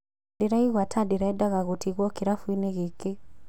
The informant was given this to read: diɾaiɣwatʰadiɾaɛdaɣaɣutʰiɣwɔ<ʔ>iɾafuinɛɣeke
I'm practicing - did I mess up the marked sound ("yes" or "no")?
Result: yes